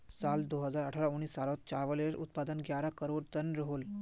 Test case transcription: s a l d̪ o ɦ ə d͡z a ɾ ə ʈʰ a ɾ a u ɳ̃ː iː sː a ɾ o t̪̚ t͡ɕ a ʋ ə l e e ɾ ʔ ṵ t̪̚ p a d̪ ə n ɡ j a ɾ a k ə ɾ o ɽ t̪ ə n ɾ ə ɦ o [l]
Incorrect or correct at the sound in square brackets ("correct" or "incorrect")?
correct